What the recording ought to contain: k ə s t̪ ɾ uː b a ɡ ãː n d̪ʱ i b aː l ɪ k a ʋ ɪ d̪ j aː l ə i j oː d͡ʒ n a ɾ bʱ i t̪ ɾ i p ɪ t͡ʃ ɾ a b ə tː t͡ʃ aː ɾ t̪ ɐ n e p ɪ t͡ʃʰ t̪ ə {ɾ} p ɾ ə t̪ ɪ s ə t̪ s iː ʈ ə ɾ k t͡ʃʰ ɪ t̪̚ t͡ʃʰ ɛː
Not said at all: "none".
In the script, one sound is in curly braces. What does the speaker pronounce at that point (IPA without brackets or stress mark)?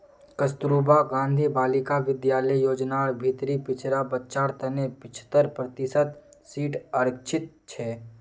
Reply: ɾ